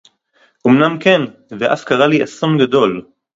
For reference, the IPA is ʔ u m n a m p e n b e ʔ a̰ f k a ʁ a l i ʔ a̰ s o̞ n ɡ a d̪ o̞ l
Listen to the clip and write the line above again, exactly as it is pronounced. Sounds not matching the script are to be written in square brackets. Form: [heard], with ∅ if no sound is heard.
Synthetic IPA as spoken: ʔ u m n a m [k] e n [v] e ʔ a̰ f k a ʁ a l i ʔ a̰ s o̞ n ɡ a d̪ o̞ l